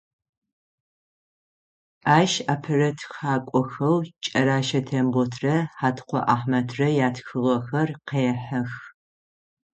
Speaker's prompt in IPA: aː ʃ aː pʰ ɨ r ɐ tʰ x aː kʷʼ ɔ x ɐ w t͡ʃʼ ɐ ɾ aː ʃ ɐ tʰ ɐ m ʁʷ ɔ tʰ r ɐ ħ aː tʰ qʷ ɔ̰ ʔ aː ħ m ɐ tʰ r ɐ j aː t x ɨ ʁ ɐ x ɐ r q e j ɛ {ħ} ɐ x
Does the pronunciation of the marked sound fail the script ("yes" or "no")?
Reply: no